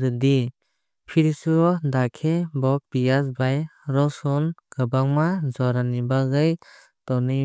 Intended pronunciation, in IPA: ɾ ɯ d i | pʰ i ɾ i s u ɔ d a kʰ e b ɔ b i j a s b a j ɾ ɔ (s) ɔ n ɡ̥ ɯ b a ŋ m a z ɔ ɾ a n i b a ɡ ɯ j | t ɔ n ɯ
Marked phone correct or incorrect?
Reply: correct